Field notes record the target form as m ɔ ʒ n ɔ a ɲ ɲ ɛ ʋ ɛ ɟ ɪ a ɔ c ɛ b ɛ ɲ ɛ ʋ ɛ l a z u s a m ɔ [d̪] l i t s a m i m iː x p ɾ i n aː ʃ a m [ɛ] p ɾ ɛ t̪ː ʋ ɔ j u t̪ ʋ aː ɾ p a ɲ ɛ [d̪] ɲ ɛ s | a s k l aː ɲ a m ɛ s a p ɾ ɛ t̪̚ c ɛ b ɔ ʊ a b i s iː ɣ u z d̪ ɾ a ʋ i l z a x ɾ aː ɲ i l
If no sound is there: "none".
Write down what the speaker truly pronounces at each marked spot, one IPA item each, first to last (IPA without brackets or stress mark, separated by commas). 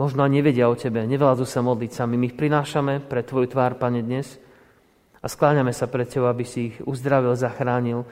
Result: d̪, ɛ, d̪